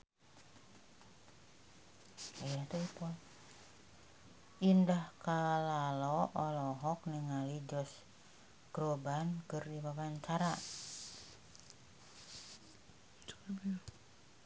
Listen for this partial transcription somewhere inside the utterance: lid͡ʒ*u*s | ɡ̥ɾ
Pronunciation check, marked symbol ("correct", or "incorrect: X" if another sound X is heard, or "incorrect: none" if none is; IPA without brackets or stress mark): incorrect: ɔ